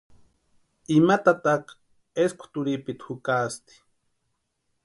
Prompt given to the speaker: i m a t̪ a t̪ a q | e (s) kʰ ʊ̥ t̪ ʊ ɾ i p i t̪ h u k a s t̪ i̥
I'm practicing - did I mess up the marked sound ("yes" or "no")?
no